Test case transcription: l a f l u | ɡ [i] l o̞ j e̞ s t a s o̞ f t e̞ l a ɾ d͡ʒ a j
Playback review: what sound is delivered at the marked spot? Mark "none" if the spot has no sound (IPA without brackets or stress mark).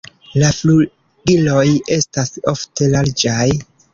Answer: i